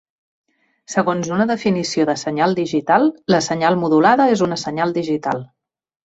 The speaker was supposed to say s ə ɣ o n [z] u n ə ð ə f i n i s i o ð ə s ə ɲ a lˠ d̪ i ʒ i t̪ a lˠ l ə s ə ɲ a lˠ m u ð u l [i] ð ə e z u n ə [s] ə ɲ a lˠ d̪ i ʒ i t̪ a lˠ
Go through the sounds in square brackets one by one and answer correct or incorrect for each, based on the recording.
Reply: correct, incorrect: a, correct

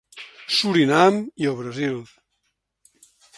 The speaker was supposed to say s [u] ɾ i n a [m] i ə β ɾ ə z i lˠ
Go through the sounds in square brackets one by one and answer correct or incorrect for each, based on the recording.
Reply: correct, correct

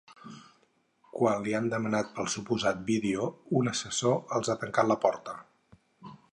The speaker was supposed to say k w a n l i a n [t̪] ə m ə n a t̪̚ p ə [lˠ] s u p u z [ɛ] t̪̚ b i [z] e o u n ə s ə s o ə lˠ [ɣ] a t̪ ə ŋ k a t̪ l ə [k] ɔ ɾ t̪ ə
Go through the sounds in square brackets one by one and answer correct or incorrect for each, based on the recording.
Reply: incorrect: d̪, correct, incorrect: a, incorrect: ð, incorrect: z, incorrect: p

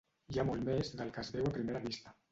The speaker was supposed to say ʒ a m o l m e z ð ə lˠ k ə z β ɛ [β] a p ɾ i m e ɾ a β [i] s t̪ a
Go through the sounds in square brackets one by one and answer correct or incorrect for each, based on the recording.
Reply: incorrect: w, correct

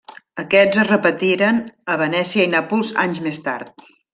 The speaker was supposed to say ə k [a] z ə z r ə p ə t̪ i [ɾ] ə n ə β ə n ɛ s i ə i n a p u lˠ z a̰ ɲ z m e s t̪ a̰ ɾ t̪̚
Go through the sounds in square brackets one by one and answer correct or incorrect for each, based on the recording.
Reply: incorrect: ɛ, correct

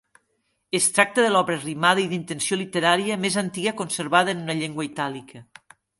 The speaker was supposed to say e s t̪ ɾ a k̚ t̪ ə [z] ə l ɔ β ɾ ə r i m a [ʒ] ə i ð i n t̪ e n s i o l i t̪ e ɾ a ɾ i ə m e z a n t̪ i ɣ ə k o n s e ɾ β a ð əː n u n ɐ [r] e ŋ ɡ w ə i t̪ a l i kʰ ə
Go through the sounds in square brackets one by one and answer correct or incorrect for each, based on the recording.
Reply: incorrect: ð, incorrect: ð, incorrect: ʎ

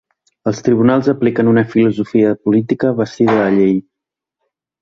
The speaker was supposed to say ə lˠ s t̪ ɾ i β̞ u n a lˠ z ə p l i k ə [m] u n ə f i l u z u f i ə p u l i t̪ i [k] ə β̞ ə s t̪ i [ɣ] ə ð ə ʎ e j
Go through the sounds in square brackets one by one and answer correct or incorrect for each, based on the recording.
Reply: incorrect: n, correct, incorrect: ð

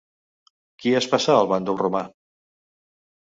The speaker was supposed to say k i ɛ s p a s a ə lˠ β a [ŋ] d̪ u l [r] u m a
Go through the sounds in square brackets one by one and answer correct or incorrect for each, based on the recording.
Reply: incorrect: n, correct

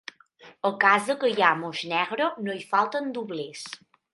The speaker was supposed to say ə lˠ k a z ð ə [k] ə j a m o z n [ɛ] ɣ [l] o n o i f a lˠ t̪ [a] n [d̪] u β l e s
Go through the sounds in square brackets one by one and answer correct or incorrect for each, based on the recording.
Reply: correct, correct, incorrect: ɾ, incorrect: ə, correct

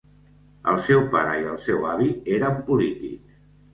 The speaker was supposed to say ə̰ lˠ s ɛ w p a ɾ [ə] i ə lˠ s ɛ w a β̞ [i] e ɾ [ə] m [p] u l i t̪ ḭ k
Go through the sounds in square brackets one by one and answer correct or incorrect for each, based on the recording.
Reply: correct, correct, correct, correct

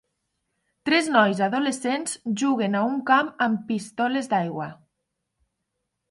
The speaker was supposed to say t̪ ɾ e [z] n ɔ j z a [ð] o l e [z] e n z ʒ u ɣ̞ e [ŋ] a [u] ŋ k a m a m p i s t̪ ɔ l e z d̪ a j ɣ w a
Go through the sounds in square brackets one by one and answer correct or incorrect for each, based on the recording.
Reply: correct, correct, incorrect: s, incorrect: n, correct

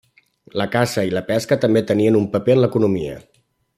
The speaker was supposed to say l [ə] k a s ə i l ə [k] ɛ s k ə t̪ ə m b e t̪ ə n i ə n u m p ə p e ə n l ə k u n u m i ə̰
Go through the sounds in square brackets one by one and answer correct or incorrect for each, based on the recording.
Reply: correct, incorrect: p

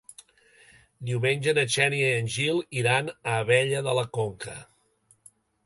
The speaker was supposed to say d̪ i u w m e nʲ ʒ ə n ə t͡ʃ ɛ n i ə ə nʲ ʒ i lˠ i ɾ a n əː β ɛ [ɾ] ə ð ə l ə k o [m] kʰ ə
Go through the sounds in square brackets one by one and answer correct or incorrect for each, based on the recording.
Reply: incorrect: ʎ, incorrect: ŋ

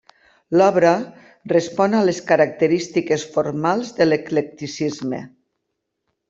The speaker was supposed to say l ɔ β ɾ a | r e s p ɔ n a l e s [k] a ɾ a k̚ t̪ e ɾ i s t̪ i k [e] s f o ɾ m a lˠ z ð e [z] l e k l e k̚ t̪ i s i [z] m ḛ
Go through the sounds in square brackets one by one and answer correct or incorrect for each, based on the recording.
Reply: correct, correct, incorrect: none, correct

